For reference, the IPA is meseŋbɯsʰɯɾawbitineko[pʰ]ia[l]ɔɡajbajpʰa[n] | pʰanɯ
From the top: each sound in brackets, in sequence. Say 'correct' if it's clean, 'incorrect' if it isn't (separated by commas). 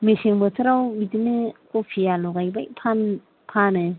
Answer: correct, correct, correct